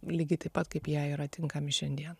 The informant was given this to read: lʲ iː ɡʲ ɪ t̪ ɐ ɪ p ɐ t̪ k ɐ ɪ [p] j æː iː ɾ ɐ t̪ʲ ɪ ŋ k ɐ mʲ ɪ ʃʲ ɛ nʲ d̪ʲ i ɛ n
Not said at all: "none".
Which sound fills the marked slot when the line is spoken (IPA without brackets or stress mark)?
p